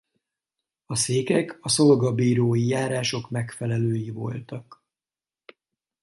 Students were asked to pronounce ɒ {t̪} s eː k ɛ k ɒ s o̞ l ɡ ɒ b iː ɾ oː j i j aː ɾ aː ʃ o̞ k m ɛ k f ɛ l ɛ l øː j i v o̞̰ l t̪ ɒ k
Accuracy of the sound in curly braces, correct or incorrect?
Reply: incorrect